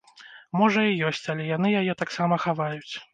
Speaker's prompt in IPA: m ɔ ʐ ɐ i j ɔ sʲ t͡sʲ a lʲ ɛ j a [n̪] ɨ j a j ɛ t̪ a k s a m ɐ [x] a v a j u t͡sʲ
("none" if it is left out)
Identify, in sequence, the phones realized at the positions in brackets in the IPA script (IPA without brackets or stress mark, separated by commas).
n̪, x